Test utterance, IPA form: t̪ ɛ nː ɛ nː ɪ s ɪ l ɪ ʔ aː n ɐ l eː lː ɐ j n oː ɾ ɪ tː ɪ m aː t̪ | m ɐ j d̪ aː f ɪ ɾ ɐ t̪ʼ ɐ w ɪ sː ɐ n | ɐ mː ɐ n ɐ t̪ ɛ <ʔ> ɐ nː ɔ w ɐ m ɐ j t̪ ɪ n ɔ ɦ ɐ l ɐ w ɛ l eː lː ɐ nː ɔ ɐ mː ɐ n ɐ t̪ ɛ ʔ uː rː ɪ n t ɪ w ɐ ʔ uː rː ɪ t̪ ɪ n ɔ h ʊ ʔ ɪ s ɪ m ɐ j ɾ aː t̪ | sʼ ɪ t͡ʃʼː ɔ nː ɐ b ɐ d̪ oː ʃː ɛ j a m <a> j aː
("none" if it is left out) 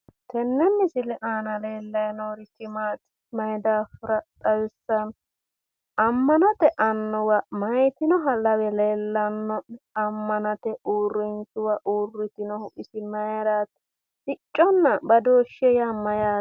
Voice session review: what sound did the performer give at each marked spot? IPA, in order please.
ʔ, ɐ

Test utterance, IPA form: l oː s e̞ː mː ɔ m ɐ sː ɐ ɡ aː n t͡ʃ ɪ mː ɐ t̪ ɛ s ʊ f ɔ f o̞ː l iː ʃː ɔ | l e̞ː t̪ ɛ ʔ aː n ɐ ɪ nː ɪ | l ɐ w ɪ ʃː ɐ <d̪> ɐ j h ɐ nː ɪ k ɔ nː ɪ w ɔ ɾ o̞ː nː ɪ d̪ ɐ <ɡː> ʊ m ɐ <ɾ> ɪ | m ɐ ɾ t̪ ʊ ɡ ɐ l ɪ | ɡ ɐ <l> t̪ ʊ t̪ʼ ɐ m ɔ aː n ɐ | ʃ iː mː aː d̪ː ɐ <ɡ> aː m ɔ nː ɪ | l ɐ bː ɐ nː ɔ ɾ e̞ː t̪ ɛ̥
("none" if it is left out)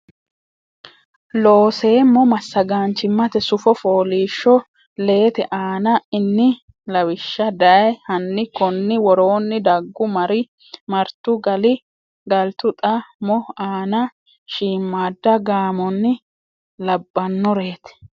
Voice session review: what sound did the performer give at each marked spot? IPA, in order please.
d̪, ɡː, ɾ, l, ɡ

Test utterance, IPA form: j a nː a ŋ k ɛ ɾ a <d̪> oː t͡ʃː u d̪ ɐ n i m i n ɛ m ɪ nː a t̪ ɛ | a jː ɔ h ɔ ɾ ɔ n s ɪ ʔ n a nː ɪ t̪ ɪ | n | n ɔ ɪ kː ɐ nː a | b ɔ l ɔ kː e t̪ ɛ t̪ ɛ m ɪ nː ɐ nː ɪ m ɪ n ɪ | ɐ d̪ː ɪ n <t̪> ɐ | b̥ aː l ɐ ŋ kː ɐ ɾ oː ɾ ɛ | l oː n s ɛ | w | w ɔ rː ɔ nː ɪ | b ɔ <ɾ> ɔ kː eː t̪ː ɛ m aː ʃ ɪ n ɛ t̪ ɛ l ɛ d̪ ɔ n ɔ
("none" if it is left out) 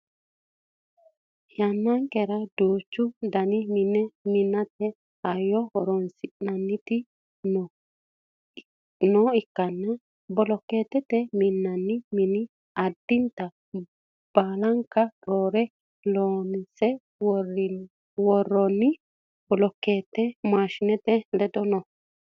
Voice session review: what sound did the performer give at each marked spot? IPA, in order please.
d̪, t̪, l

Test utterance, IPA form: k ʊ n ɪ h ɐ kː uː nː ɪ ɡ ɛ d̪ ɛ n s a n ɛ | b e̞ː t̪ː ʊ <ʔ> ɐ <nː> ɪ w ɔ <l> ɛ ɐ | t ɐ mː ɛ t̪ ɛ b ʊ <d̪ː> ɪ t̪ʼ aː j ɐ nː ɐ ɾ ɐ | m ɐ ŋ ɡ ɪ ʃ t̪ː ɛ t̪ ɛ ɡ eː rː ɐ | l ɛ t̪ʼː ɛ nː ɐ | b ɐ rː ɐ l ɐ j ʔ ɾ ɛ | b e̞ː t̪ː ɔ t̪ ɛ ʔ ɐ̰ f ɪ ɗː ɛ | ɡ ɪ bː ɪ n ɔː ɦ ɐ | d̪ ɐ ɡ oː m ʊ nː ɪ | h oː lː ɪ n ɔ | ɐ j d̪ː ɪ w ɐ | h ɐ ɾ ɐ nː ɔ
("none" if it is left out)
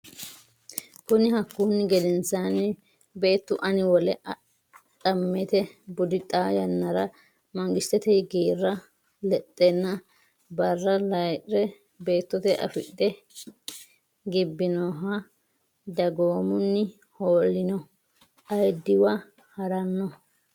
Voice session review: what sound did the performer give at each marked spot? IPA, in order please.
ʔ, n, l, d̪

